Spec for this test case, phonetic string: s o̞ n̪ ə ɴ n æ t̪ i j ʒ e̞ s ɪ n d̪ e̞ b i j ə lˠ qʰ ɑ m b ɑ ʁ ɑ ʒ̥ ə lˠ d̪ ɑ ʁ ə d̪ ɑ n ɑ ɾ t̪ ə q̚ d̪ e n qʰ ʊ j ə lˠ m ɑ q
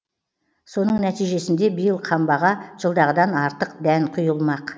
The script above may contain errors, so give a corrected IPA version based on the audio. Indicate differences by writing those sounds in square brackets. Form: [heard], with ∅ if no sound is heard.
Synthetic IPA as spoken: s o̞ n̪ ə ɴ n æ t̪ i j ʒ e̞ s ɪ n d̪ e̞ b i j ə lˠ qʰ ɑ m b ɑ ʁ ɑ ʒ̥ ə lˠ d̪ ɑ ʁ ə d̪ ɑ n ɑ ɾ t̪ ə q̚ d̪ [æ] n qʰ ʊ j ə lˠ m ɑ q